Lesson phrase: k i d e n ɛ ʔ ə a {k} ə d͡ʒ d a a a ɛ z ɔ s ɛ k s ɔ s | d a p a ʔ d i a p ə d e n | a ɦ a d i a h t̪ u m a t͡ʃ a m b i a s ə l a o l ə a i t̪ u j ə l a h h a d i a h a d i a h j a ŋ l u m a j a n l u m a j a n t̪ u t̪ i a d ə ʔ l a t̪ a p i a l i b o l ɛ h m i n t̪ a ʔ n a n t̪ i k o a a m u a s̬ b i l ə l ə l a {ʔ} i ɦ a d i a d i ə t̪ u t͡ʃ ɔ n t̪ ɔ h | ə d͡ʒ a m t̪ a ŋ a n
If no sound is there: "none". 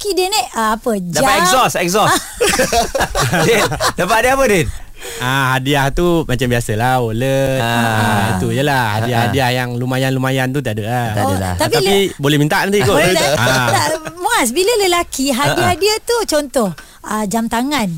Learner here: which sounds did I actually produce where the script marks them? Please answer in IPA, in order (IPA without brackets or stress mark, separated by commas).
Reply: p, k